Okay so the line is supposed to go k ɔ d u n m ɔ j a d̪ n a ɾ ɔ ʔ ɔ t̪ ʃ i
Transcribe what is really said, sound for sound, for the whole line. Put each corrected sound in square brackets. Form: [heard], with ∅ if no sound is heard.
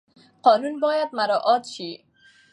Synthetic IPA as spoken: [q] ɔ [n] u n [b] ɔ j a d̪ [m] a ɾ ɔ ʔ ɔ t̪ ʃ i